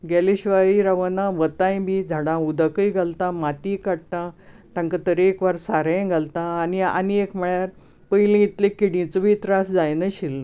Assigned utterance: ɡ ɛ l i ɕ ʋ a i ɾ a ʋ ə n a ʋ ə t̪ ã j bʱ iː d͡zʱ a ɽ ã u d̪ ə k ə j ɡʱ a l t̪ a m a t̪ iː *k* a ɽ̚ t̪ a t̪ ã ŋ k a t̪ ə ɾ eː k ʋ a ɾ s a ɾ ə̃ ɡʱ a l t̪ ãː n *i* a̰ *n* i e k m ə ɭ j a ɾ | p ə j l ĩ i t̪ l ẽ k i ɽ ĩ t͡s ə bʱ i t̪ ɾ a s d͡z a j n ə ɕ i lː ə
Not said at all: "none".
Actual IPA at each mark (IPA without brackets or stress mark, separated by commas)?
k, i, n